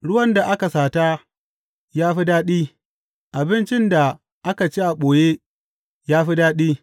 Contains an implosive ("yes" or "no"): yes